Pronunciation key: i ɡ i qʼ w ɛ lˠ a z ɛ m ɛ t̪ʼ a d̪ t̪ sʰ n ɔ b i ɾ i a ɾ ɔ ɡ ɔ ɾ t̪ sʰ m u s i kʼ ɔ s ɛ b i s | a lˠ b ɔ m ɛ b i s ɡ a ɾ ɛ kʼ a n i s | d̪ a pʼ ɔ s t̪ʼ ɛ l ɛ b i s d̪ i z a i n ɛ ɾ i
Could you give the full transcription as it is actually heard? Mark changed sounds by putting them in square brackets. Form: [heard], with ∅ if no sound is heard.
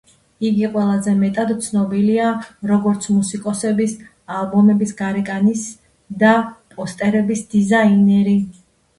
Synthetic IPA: i ɡ i qʼ w ɛ lˠ a z ɛ m ɛ t̪ʼ a d̪ t̪ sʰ n ɔ b i [l] i a ɾ ɔ ɡ ɔ ɾ t̪ sʰ m u s i kʼ ɔ s ɛ b i s | a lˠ b ɔ m ɛ b i s ɡ a ɾ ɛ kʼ a n i s | d̪ a pʼ ɔ s t̪ʼ ɛ [ɾ] ɛ b i s d̪ i z a i n ɛ ɾ i